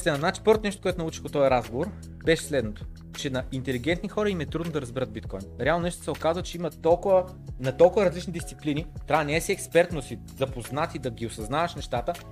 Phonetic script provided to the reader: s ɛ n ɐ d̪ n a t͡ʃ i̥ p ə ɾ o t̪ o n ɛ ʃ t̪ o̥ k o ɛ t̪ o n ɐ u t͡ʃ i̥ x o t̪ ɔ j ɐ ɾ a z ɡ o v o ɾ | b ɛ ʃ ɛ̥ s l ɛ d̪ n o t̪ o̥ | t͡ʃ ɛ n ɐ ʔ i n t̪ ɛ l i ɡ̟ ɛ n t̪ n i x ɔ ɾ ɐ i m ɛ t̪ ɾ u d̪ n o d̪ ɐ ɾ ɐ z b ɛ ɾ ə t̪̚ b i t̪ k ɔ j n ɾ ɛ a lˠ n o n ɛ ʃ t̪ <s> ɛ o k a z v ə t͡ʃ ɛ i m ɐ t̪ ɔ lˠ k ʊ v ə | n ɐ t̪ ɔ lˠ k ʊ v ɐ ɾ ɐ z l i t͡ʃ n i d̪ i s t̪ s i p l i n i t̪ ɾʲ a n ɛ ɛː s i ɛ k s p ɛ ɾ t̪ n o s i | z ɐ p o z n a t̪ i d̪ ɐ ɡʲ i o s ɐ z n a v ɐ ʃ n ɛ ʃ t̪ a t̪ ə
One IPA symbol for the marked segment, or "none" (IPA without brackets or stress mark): s